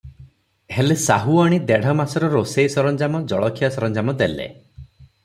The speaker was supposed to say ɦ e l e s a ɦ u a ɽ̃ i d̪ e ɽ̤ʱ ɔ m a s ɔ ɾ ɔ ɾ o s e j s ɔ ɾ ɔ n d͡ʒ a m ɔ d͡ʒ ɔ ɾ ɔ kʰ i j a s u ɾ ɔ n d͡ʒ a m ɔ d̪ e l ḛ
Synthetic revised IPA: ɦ e l e s a ɦ u a ɽ̃ i d̪ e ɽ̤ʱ ɔ m a s ɔ ɾ ɔ ɾ o s e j s ɔ ɾ ɔ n d͡ʒ a m ɔ d͡ʒ ɔ ɭ ɔ kʰ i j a s ɔ ɾ ɔ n d͡ʒ a m ɔ d̪ e l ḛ